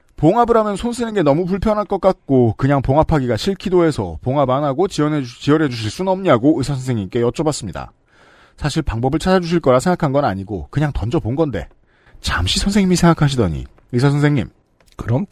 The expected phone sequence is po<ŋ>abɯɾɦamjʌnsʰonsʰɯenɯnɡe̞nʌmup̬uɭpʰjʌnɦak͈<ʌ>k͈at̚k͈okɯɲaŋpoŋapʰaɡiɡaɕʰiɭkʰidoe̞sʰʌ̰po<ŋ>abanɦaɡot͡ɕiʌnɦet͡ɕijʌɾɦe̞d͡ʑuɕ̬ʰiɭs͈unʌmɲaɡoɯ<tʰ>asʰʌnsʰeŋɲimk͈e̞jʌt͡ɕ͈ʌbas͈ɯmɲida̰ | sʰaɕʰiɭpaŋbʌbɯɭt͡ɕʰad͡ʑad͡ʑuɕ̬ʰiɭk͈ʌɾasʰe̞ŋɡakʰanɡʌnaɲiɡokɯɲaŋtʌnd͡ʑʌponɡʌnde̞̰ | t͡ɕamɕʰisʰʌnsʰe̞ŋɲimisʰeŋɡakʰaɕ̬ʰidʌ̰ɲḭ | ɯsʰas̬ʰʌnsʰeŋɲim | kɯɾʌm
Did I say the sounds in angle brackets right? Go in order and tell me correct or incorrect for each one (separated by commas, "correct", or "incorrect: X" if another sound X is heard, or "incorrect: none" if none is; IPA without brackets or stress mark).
correct, correct, correct, incorrect: sʰ